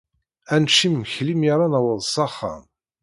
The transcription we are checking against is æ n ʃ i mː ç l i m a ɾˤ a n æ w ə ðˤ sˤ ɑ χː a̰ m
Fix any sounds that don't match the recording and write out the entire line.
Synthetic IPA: æ n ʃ i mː ç l i m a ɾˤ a n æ w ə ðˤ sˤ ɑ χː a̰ m